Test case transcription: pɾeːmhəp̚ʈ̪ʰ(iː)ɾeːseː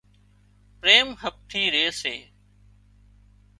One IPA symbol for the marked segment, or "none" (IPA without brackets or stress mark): iː